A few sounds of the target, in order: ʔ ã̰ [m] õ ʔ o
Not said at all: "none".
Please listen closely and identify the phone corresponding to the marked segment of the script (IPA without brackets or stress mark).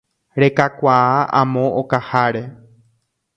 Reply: m